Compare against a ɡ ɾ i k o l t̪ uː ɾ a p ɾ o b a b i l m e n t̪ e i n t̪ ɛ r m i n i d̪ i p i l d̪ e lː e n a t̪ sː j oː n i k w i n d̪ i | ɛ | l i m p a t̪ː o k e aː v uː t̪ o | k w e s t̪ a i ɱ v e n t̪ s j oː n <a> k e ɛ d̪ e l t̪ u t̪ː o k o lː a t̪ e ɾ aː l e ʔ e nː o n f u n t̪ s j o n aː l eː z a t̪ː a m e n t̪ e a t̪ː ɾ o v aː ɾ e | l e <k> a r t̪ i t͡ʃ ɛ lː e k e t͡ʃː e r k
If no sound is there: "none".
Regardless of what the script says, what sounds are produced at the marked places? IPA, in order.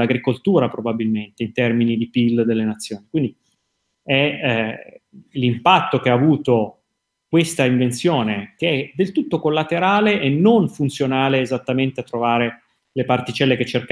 e, p

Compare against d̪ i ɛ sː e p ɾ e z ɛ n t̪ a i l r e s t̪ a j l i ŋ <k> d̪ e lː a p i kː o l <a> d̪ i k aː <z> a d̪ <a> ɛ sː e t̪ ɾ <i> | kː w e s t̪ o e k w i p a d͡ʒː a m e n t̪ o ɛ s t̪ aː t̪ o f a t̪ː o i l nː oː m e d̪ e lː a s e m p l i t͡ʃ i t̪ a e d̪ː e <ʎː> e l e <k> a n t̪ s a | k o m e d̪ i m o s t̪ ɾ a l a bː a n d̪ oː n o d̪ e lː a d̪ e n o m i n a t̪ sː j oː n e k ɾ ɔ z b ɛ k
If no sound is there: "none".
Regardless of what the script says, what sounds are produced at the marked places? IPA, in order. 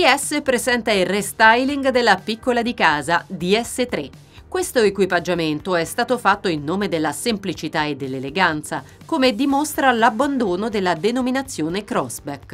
ɡ, a, z, i, e, lː, ɡ

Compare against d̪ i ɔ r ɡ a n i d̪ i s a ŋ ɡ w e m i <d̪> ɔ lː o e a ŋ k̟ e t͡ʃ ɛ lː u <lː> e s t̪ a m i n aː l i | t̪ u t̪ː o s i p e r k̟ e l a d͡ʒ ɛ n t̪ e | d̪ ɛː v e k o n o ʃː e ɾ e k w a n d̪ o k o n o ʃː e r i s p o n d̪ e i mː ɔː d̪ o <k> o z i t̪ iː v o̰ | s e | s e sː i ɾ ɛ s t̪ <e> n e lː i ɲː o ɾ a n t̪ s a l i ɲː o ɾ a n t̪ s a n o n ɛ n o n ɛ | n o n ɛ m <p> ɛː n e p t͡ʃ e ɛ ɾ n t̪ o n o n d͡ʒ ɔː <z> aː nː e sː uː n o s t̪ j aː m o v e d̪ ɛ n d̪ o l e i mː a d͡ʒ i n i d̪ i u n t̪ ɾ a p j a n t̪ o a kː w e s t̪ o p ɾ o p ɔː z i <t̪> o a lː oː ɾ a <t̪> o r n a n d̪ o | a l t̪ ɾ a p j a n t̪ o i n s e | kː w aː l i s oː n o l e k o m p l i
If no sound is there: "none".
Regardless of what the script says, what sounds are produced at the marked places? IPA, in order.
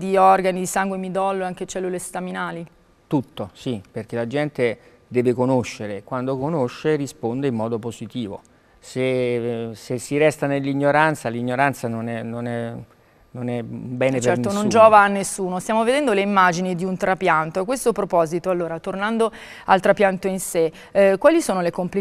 d̪, l, p, a, b, v, t̪, t̪

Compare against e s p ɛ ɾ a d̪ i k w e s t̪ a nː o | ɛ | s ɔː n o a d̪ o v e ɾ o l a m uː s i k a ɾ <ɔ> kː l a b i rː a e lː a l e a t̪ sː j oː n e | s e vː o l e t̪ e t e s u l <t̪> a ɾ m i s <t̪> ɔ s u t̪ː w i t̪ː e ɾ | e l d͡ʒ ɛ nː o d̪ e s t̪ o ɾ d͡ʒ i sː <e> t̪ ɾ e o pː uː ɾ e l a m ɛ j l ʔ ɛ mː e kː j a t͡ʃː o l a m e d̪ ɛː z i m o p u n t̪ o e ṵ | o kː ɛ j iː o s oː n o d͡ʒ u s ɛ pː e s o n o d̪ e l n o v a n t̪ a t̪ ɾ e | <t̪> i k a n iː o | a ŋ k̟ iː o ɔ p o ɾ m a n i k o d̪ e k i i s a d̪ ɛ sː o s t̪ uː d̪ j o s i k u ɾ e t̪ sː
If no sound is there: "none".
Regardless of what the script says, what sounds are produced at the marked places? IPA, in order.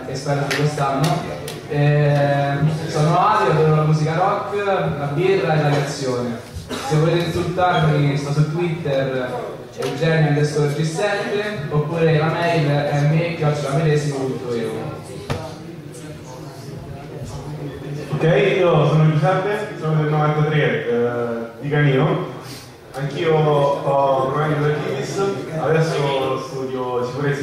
ɔ, t̪, t̪, ɛ, d̪

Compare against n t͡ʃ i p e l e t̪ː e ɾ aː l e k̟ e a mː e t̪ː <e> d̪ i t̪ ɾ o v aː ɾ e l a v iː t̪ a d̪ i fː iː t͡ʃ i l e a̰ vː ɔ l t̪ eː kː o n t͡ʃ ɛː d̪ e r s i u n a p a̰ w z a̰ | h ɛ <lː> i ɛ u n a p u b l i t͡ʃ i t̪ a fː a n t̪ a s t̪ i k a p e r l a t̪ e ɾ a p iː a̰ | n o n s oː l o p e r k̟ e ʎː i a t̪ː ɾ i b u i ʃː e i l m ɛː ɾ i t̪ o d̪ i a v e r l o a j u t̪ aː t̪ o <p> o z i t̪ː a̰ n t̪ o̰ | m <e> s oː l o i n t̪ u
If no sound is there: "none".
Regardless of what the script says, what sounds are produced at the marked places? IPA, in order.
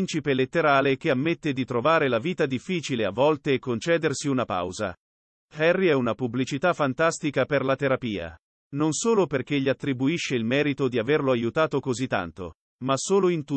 e, rː, k, a

